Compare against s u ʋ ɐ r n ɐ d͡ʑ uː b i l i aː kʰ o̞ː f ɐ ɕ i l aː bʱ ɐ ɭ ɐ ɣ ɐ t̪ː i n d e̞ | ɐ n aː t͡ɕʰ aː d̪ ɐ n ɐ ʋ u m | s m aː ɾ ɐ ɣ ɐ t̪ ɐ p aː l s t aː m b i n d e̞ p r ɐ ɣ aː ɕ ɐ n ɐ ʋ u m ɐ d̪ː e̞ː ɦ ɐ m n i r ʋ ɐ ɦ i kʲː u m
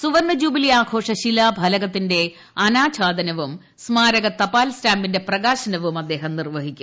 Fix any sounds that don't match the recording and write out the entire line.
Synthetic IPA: s u ʋ ɐ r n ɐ d͡ʑ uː b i l i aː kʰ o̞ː ʂ ɐ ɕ i l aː bʱ ɐ l ɐ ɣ ɐ t̪ː i n d e̞ | ɐ n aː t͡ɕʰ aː d̪ ɐ n ɐ ʋ u m | s m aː ɾ ɐ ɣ ɐ t̪ ɐ p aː l s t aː m b i n d e̞ p r ɐ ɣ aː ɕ ɐ n ɐ ʋ u m ɐ d̪ː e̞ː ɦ ɐ m n i r ʋ ɐ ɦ i kʲː u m